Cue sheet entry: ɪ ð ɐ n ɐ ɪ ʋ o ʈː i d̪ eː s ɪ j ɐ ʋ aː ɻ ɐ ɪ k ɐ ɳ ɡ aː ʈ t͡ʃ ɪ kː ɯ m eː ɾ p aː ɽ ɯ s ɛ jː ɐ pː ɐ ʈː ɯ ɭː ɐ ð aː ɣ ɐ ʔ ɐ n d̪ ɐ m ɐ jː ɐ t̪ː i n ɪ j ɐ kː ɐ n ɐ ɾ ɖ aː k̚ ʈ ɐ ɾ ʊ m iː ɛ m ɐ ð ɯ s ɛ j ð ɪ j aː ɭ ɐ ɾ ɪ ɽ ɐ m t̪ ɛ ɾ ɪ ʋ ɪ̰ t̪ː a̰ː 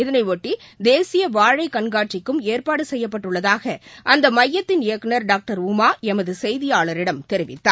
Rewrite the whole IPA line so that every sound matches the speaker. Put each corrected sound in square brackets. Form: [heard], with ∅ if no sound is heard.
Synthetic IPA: ɪ ð ɐ n ɐ ɪ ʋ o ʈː i d̪ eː s ɪ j ɐ ʋ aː ɻ ɐ ɪ k ɐ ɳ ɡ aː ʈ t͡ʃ ɪ kː ɯ m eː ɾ p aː ɽ ɯ s ɛ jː ɐ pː ɐ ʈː ɯ ɭː ɐ ð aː ɣ ɐ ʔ ɐ n d̪ ɐ m ɐ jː ɐ t̪ː [ɪ] n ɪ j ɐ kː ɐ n ɐ ɾ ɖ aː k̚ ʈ ɐ ɾ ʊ m [aː] ɛ m ɐ ð ɯ s ɛ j ð ɪ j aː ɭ ɐ ɾ ɪ ɽ ɐ m t̪ ɛ ɾ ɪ ʋ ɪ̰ t̪ː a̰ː